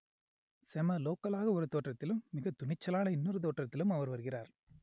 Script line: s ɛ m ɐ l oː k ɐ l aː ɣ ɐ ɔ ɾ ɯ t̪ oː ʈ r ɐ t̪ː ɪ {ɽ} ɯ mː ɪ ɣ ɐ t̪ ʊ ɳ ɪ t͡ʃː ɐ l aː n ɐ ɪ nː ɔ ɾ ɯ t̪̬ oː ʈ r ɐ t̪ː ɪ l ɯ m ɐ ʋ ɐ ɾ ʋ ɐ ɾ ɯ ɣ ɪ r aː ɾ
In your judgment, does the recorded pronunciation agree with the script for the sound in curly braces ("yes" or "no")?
no